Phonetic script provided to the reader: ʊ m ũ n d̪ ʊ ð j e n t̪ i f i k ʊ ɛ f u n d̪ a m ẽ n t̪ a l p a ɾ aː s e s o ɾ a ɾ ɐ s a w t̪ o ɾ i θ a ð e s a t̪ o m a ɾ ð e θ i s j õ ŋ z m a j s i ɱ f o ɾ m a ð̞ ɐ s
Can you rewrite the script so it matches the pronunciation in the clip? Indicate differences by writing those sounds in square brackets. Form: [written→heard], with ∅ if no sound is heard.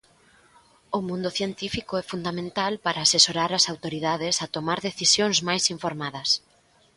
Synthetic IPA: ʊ m ũ n d̪ ʊ [ð→θ] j e n t̪ i f i k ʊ ɛ f u n d̪ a m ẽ n t̪ a l p a ɾ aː s e s o ɾ a ɾ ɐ s a w t̪ o ɾ i [θ→ð] a ð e s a t̪ o m a ɾ ð e θ i s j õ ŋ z m a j s i ɱ f o ɾ m a ð̞ ɐ s